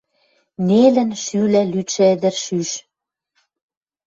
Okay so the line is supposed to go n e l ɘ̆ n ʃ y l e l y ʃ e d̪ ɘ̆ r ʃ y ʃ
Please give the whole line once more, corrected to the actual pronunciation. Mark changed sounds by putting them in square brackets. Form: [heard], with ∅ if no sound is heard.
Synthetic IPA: n e l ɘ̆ n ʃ y l [æ] l y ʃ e d̪ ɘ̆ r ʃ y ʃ

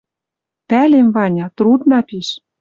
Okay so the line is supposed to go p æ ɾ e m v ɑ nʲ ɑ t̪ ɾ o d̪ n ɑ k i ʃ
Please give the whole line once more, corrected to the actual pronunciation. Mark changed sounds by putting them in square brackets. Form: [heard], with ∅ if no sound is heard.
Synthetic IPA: p æ [l] e m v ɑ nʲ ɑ t̪ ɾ [u] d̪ n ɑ [p] i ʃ

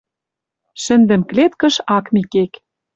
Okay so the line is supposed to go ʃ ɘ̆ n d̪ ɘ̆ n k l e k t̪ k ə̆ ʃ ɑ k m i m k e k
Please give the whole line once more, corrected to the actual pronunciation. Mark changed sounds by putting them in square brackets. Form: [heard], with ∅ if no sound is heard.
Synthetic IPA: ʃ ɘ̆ n d̪ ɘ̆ [m] k l e [∅] t̪ k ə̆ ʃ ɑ k m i [∅] k e k

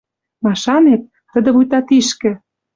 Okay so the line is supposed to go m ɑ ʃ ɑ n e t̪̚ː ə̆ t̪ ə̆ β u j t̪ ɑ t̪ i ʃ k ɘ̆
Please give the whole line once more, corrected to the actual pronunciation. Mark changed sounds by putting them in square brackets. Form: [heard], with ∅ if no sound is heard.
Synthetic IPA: m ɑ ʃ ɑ n e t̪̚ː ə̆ [d̪] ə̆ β u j t̪ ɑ t̪ i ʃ k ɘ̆

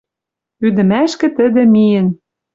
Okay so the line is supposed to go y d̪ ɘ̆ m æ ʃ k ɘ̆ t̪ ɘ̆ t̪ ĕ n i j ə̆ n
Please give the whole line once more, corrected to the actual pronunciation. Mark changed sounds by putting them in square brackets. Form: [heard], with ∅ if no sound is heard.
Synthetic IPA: y d̪ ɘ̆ m æ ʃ k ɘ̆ t̪ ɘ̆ [d̪] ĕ [m] i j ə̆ n

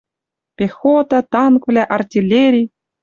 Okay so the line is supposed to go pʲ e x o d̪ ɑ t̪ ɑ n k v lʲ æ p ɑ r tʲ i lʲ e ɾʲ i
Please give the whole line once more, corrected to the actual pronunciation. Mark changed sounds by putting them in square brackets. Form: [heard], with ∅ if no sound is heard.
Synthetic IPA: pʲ e x o [t̪] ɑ t̪ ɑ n k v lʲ æ [ʔ] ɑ r tʲ i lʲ e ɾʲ i

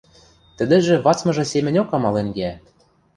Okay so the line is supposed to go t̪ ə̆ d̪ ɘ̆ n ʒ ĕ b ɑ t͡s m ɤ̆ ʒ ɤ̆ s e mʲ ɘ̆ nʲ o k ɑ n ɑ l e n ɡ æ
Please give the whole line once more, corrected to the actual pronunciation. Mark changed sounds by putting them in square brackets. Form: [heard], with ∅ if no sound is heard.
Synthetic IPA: t̪ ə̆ d̪ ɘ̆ [∅] ʒ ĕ [β] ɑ t͡s m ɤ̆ ʒ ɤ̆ s e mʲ ɘ̆ nʲ o k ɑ [m] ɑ l e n ɡ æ

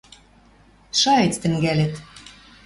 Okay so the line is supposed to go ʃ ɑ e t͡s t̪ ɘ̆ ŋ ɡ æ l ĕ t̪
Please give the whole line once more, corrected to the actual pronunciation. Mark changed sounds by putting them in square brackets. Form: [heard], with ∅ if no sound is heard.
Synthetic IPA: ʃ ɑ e t͡s t̪ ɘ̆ ŋ ɡ æ l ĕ t̪

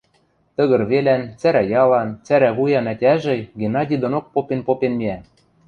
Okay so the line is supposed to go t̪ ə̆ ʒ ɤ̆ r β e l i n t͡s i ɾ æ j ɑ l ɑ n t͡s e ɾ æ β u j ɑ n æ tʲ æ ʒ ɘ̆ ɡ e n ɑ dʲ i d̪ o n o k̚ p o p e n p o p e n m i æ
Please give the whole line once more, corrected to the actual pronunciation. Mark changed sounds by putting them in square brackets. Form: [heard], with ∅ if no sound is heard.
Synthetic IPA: t̪ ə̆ [ɣ] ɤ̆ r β e l [æ] n t͡s [æ] ɾ æ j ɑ l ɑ n t͡s [æ] ɾ æ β u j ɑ n æ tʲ æ ʒ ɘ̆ ɡ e n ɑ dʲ i d̪ o n o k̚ p o p e n p o p e n m i æ

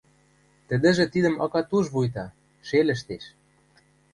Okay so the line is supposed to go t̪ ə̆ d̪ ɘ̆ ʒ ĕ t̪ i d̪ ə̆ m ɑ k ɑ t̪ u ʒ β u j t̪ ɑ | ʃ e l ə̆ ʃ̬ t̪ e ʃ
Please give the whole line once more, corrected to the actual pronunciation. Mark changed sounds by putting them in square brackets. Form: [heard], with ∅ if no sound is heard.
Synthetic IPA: t̪ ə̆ d̪ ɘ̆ ʒ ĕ t̪ i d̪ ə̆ m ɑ k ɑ t̪ u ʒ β u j t̪ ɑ | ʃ e l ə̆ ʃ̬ t̪ e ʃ

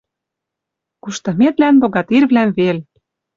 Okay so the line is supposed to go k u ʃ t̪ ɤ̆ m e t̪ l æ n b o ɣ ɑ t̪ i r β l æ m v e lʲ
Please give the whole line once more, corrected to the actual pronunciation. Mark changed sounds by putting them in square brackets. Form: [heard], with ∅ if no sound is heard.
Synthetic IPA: k u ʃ t̪ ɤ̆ m e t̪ l æ n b o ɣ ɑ t̪ i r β l æ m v e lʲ

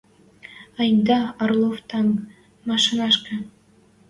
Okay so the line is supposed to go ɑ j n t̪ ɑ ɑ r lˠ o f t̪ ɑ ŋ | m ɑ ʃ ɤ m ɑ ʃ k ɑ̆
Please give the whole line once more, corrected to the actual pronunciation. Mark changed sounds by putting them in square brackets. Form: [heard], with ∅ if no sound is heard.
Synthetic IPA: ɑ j n [d̪] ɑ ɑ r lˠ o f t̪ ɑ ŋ | m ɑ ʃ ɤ [n] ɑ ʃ k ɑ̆

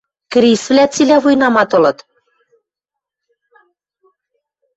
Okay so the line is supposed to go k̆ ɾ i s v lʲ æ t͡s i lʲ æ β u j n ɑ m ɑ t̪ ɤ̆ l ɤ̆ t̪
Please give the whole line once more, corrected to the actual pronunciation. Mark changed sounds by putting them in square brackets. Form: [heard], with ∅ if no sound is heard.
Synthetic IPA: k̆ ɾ i s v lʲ æ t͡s i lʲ æ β u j n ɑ m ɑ t̪ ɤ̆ l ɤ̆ t̪

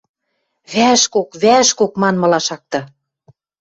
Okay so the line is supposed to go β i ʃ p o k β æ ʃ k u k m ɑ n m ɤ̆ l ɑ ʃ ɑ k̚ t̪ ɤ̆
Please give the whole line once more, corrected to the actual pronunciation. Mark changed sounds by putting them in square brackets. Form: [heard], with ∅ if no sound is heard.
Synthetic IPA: β [æ] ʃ [k] o k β æ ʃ k [o] k m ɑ n m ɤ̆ l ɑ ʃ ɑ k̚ t̪ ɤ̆

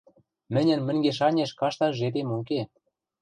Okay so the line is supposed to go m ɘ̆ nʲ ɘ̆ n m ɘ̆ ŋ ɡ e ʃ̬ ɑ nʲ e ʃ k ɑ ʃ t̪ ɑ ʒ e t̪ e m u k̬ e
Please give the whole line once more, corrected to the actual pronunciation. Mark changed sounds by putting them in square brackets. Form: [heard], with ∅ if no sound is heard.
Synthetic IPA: m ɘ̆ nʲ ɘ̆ n m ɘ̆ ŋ ɡ e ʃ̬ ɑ nʲ e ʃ k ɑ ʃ t̪ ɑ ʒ e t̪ e m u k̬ e

